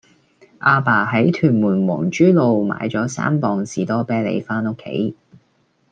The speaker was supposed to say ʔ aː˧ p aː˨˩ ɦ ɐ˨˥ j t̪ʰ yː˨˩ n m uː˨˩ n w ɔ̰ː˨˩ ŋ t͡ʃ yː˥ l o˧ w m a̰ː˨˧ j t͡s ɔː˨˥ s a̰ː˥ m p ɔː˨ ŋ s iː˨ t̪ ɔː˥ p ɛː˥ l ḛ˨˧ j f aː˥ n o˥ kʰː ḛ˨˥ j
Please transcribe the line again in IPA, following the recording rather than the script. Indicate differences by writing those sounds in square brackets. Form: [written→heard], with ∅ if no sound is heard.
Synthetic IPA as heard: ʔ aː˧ p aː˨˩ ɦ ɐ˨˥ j t̪ʰ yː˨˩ n m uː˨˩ n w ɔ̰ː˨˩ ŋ t͡ʃ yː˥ l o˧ w m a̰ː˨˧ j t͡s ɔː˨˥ s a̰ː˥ m p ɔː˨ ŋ s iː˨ t̪ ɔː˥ p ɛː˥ l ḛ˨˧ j f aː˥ n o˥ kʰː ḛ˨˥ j